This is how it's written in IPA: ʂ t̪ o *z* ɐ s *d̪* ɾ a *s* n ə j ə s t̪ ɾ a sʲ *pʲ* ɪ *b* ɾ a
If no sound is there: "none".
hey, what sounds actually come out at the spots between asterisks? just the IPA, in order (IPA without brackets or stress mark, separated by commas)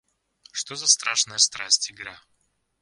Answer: z, t̪, ʂ, tʲ, ɡ